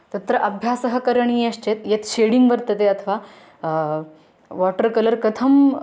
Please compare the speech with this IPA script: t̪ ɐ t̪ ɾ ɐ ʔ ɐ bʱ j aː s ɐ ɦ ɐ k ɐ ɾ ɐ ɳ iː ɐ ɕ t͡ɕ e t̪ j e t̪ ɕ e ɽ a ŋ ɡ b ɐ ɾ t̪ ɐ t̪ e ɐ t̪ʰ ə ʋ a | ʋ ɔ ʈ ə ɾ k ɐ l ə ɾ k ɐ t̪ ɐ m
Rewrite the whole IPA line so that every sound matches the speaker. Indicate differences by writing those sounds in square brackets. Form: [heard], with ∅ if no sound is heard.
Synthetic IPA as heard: t̪ ɐ t̪ ɾ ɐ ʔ ɐ bʱ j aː s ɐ ɦ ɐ k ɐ ɾ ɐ ɳ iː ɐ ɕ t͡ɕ e t̪ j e t̪ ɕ e ɽ [i] ŋ ɡ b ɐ ɾ t̪ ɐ t̪ e ɐ t̪ʰ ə ʋ a | ʋ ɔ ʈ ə ɾ k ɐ l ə ɾ k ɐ [t̪ʰ] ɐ m